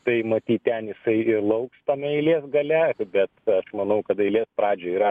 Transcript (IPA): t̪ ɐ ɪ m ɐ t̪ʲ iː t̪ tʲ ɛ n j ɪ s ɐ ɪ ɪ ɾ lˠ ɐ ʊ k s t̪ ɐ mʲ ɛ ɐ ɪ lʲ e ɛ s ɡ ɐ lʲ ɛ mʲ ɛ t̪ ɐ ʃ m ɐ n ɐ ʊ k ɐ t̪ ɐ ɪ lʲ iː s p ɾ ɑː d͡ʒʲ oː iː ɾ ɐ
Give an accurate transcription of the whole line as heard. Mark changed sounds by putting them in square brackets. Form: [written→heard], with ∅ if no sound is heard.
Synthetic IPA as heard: t̪ ɐ ɪ m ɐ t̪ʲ iː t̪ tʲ ɛ n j ɪ s ɐ ɪ ɪ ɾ lˠ ɐ ʊ k s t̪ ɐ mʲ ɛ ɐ ɪ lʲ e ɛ s ɡ ɐ lʲ ɛ [mʲ→bʲ] ɛ t̪ ɐ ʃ m ɐ n ɐ ʊ k ɐ t̪ ɐ ɪ lʲ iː s p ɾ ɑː d͡ʒʲ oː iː ɾ ɐ